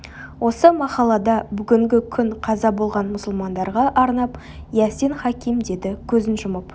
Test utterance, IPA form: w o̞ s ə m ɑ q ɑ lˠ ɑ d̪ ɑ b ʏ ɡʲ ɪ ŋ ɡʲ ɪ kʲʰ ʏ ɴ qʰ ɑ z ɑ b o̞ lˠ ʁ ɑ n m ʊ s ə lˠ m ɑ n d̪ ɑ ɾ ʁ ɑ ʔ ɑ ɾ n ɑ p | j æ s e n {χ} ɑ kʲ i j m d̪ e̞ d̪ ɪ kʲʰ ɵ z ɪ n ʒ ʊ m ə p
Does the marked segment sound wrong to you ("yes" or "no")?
no